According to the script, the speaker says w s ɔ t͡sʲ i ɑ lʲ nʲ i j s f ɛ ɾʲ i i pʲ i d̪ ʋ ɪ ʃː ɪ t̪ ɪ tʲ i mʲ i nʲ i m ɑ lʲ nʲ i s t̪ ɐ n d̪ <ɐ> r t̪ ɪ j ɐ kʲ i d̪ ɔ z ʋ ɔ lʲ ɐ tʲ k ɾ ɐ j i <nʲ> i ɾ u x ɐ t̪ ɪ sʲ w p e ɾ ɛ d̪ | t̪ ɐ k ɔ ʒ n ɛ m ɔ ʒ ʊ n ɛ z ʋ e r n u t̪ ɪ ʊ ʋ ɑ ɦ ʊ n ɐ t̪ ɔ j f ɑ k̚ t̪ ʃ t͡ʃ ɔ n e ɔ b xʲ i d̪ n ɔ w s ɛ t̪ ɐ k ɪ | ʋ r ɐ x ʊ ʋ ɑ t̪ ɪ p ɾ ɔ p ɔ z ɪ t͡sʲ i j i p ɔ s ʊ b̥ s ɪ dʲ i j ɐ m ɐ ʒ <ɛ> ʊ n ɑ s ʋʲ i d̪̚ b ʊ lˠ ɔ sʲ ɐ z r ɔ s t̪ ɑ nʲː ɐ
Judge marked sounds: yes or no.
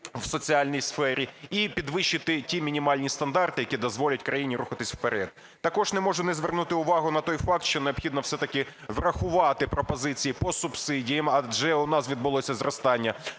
no, yes, yes

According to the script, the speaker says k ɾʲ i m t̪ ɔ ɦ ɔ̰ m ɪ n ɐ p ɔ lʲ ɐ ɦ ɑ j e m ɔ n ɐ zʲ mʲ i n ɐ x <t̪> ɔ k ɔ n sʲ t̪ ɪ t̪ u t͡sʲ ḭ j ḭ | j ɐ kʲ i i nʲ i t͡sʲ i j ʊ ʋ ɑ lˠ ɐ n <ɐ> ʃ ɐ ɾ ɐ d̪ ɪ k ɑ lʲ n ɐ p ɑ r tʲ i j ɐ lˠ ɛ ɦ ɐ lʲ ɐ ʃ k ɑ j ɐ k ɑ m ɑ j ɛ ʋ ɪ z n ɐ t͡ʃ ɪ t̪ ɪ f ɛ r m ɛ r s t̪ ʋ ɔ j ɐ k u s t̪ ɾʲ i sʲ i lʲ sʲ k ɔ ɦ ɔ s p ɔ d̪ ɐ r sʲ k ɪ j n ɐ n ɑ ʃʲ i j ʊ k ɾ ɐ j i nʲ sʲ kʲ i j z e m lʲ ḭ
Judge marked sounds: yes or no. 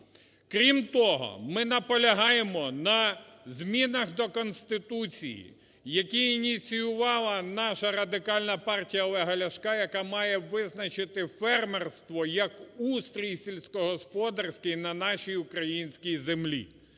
no, no

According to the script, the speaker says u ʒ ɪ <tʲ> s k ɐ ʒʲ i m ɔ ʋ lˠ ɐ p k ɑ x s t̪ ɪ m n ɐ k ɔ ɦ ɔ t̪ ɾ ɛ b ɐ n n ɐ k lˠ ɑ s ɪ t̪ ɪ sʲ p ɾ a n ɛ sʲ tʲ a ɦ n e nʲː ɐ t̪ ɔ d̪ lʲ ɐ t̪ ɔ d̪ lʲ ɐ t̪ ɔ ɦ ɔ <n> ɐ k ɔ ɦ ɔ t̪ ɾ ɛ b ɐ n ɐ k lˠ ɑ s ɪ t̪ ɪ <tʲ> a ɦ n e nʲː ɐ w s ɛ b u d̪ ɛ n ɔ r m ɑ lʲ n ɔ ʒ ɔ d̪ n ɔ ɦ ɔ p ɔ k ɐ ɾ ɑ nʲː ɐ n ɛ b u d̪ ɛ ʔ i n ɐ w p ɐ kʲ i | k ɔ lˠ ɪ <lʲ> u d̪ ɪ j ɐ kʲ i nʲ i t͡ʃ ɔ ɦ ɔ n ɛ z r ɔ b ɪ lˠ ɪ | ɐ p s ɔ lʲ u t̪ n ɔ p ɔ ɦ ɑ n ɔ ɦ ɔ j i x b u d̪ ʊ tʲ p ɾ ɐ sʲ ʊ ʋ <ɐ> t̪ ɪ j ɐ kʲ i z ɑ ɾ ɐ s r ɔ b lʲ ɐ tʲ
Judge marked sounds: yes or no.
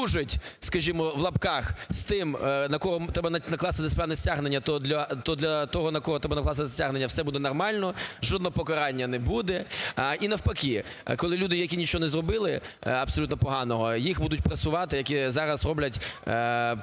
yes, yes, no, yes, no

